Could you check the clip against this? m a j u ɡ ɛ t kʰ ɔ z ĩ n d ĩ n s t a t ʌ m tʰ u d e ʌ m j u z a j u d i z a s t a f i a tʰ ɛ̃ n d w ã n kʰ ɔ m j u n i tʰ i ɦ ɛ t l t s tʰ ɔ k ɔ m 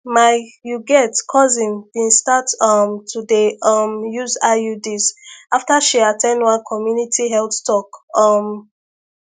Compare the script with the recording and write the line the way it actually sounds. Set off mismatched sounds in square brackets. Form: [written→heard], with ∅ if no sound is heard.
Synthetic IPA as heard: m a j u ɡ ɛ t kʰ ɔ z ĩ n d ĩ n s t a t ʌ m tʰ u d e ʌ m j u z a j u d i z a [s→f] t a [f→ʃ] i a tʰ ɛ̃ n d w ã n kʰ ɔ m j u n i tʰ i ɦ ɛ [t→∅] l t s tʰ ɔ k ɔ m